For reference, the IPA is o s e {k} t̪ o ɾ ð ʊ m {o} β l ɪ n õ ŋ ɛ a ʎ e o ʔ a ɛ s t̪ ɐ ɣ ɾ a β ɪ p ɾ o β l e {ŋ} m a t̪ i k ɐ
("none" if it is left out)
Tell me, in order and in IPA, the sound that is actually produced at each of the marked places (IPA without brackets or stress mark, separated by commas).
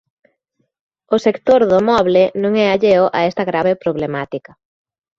k, ɔ, none